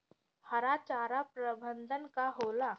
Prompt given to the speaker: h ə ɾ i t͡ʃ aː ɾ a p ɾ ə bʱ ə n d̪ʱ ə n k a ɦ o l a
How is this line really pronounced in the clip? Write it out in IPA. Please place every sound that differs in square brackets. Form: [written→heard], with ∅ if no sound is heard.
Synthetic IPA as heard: h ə ɾ [i→a] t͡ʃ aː ɾ a p ɾ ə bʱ ə n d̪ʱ ə n k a ɦ o l a